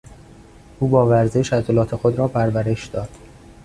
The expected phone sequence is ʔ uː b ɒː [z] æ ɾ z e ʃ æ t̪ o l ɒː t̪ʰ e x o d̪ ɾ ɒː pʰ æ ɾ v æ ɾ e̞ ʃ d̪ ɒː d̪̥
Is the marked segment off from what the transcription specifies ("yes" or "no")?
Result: yes